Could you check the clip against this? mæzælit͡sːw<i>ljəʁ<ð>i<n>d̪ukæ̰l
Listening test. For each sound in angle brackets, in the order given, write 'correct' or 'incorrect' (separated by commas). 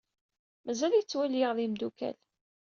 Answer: incorrect, correct, incorrect